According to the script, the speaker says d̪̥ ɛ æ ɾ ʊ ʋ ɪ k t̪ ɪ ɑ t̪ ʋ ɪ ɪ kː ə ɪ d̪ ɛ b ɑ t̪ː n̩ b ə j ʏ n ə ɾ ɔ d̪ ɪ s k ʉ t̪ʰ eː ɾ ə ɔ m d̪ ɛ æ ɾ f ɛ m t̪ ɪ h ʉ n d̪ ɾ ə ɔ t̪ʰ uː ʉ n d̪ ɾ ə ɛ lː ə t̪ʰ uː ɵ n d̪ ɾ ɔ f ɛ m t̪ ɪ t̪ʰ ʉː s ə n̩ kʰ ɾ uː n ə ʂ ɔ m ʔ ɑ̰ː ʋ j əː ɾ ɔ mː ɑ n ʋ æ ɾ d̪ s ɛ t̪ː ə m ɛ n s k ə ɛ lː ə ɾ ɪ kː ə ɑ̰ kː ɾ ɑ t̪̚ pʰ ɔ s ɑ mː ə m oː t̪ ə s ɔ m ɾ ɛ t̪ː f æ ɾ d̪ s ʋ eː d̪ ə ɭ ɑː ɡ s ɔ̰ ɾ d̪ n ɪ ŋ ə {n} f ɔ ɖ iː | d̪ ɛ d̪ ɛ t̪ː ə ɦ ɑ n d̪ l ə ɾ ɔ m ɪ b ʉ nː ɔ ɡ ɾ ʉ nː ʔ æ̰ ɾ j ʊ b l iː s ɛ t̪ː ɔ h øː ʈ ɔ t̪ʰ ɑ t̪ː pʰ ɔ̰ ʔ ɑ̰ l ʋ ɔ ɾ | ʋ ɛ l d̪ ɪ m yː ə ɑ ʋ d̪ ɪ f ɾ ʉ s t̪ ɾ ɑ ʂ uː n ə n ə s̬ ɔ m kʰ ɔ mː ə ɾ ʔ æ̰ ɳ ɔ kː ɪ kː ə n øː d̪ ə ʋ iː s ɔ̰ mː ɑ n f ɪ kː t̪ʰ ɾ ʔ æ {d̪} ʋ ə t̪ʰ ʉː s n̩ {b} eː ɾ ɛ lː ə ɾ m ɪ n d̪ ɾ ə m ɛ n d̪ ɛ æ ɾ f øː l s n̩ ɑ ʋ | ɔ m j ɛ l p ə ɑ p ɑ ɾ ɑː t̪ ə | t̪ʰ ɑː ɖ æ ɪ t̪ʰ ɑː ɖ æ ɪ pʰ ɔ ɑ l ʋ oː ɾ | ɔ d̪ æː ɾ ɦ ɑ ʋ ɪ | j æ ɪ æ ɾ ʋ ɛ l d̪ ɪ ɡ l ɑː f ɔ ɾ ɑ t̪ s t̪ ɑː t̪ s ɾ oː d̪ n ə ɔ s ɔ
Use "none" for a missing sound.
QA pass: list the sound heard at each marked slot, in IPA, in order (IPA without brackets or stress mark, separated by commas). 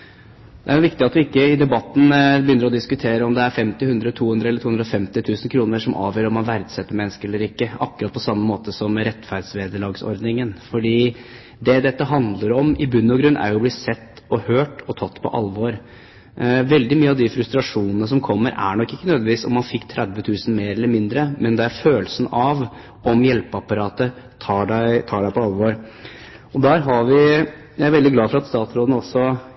n, d̪, m